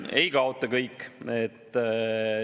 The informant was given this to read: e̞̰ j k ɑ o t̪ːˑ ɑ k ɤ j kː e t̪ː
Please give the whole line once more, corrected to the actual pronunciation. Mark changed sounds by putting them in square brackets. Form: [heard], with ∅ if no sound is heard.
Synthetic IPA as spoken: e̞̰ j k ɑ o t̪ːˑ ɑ k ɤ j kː e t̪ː

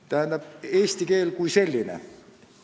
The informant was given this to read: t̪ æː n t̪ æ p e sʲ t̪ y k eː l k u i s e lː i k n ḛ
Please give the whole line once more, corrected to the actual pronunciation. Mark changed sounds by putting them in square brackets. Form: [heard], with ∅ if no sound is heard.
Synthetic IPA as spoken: t̪ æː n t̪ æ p e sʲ t̪ [i] k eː l k u i s e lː i [∅] n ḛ

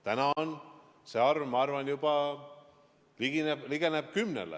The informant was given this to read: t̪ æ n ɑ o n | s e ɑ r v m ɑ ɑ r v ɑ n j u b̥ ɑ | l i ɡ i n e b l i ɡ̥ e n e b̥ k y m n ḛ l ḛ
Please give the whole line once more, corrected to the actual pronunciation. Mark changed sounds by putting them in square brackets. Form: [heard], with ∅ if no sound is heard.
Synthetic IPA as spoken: t̪ æ n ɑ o n | s e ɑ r v m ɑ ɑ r v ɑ n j u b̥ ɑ | l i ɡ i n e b l i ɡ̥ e n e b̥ k y m n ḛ l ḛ

